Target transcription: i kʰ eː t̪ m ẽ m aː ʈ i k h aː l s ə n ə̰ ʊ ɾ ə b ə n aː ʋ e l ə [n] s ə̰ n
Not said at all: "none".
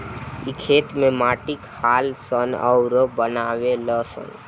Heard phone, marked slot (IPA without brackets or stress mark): none